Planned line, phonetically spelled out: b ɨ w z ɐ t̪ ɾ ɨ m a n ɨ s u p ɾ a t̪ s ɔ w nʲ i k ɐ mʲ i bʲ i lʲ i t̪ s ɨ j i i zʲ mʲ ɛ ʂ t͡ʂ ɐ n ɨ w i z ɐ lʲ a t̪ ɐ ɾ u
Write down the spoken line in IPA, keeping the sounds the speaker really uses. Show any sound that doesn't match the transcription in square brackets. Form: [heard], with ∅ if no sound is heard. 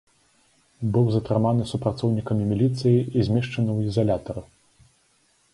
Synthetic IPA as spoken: b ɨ w z ɐ t̪ ɾ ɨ m a n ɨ s u p ɾ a t̪ s ɔ w nʲ i k ɐ mʲ i [mʲ] i lʲ i t̪ s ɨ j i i zʲ mʲ ɛ ʂ t͡ʂ ɐ n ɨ w i z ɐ lʲ a t̪ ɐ ɾ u